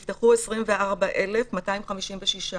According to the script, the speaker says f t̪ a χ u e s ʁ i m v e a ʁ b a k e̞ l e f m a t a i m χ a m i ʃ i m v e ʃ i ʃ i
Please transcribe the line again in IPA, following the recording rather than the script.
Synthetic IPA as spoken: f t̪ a χ u e s ʁ i m v e a ʁ b a ʔ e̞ l e f m a t a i m χ a m i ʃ i m v e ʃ i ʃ a